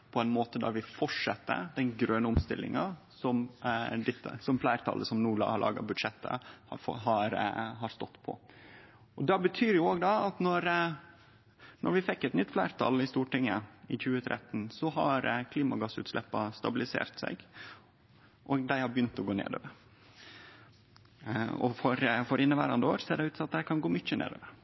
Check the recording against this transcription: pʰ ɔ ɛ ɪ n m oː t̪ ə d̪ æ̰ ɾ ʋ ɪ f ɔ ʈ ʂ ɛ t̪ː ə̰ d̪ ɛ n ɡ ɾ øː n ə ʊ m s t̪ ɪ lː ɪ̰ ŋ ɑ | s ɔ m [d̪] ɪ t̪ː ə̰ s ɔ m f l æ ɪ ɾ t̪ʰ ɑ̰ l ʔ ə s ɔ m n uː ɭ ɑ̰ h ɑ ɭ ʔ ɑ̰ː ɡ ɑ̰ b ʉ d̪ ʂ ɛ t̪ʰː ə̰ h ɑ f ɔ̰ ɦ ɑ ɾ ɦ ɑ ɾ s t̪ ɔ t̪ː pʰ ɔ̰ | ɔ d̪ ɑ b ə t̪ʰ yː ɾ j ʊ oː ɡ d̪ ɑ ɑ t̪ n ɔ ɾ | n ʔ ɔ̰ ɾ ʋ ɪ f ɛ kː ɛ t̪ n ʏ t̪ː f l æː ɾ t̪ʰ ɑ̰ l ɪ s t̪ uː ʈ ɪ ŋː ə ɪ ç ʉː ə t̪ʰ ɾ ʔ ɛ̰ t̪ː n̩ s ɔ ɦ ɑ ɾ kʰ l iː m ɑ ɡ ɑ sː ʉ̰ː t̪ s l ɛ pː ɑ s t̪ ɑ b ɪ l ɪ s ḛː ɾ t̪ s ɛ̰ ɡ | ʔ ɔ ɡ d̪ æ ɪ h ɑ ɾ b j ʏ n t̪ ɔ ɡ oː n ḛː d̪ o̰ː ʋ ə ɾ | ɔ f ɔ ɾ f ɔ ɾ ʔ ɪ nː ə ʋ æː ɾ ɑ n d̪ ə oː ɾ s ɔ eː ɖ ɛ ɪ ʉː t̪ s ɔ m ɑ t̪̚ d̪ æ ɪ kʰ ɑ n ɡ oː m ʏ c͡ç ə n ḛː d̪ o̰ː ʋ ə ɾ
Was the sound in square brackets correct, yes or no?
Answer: yes